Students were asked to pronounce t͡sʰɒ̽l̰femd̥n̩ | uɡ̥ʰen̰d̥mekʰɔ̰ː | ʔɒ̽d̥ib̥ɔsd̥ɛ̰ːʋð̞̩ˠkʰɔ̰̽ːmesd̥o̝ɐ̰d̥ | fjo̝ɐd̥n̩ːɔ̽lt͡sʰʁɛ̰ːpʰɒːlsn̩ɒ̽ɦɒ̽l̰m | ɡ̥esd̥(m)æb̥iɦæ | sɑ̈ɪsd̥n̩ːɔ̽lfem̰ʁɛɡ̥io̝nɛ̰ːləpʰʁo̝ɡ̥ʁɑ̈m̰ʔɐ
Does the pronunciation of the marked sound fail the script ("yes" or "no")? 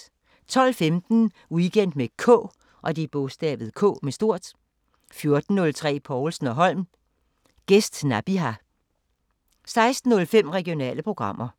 yes